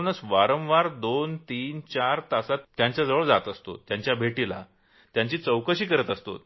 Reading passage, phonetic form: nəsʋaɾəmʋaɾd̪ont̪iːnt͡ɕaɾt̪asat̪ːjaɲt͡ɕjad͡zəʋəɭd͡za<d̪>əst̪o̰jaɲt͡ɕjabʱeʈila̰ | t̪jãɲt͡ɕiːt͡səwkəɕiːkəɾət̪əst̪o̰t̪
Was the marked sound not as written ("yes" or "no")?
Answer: yes